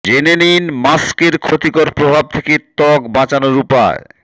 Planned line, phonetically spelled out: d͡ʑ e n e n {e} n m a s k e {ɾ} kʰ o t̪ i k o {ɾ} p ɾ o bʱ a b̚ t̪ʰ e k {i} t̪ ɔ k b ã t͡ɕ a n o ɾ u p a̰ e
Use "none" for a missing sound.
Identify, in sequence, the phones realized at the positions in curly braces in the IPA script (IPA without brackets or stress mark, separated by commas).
i, ɾ, ɾ, e